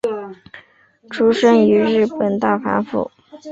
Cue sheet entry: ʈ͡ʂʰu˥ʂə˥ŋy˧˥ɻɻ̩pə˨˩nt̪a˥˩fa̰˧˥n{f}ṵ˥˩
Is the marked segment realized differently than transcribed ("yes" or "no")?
no